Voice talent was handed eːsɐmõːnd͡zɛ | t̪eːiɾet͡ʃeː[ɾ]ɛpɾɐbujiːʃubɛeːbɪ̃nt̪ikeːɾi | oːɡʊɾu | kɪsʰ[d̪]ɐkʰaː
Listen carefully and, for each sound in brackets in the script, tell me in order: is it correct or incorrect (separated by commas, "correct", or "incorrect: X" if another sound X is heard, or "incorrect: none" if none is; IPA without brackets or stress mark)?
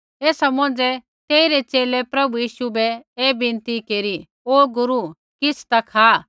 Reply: incorrect: l, incorrect: t̪